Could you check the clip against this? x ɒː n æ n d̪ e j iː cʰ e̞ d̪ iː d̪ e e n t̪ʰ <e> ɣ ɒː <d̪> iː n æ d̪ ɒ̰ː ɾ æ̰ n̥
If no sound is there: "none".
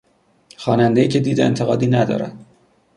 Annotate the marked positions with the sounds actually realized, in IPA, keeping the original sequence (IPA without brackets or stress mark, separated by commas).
e, d̪